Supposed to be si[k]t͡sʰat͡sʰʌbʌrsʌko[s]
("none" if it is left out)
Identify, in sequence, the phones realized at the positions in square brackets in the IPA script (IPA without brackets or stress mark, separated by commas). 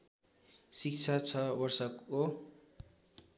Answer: k, none